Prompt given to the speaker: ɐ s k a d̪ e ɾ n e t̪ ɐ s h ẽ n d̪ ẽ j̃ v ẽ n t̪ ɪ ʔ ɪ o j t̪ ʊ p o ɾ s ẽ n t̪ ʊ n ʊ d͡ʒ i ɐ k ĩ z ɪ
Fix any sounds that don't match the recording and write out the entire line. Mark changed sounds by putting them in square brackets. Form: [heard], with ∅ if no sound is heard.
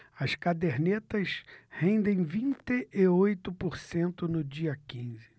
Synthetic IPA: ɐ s k a d̪ e ɾ n e t̪ ɐ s h ẽ n d̪ ẽ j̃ v [ĩ] n t̪ ɪ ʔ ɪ o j t̪ ʊ p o ɾ s ẽ n t̪ ʊ n ʊ d͡ʒ i ɐ k ĩ z ɪ